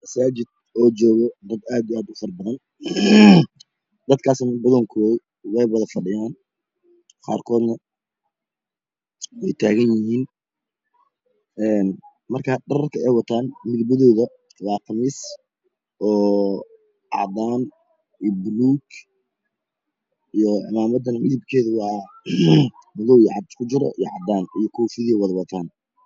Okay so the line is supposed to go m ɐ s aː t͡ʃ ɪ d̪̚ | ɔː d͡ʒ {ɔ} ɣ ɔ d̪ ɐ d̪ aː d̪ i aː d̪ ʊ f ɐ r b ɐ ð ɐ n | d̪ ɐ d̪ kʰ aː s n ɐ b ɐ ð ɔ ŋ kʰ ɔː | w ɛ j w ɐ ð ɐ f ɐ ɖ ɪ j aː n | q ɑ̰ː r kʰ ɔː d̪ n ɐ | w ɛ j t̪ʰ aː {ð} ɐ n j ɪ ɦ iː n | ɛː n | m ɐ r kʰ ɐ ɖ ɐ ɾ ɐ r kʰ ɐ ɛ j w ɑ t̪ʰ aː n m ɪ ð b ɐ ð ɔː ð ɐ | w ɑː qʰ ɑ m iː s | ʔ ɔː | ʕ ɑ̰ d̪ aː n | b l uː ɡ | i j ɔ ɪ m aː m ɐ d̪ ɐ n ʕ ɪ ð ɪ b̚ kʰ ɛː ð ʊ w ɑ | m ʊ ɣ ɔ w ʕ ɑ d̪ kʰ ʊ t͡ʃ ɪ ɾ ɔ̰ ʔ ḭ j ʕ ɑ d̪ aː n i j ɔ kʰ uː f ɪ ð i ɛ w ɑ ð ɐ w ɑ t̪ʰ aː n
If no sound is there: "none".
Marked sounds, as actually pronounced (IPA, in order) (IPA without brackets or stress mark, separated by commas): ɔː, ɣ